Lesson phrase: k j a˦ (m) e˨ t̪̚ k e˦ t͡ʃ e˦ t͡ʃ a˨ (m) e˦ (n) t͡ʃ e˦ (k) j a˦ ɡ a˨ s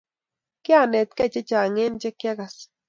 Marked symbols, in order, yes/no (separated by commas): no, no, yes, yes